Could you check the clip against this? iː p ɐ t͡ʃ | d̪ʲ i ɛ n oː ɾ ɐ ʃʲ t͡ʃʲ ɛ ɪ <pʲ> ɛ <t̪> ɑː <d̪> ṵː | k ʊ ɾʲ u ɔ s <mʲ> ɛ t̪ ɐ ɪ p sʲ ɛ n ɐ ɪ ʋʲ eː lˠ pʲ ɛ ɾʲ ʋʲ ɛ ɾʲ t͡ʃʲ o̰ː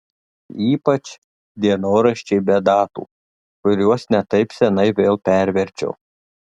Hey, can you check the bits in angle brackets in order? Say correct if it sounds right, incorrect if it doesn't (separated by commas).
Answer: incorrect, incorrect, incorrect, incorrect